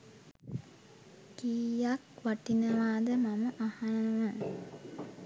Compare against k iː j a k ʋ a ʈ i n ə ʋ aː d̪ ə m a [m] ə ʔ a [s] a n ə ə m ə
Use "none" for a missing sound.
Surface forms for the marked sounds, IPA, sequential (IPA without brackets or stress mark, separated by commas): m, h